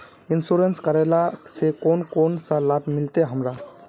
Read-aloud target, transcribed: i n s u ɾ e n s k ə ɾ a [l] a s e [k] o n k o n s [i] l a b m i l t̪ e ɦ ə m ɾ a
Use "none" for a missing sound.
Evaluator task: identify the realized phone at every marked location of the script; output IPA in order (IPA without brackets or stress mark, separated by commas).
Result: l, k, a